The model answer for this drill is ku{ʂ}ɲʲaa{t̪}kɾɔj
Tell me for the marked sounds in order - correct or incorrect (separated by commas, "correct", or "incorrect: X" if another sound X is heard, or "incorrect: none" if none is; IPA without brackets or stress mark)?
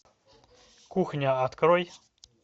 incorrect: x, correct